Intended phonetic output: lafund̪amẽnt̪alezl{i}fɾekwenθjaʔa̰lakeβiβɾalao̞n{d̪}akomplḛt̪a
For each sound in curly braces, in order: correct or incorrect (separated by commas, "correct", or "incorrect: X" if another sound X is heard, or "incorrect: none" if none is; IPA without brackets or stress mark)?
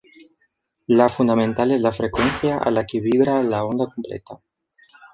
incorrect: a, correct